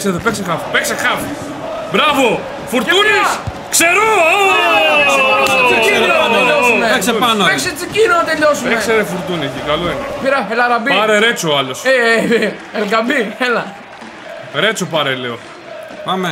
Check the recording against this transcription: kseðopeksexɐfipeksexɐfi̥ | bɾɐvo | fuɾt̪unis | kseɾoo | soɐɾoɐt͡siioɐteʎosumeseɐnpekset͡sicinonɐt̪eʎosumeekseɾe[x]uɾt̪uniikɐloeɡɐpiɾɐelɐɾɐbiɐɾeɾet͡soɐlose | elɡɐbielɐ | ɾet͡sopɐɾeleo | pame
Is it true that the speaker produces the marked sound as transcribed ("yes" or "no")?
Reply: no